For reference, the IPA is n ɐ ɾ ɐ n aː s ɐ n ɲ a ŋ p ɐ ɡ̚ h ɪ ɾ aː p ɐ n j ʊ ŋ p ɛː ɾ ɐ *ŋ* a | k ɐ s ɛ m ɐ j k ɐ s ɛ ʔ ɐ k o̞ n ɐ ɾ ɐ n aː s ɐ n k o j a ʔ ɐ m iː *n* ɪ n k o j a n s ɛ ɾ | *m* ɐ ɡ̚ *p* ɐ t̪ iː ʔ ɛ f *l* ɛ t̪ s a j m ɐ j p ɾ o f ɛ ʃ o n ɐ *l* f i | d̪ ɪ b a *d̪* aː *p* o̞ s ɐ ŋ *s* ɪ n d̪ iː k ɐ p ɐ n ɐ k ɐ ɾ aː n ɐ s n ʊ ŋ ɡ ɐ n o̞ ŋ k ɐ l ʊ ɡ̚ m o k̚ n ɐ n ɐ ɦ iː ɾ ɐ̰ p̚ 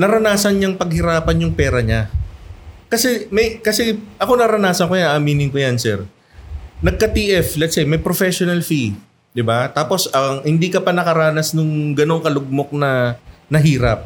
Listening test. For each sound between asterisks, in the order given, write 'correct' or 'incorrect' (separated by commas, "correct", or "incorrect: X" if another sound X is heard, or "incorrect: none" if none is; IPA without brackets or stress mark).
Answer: incorrect: ɲ, correct, incorrect: n, incorrect: k, correct, correct, incorrect: t̪, correct, incorrect: h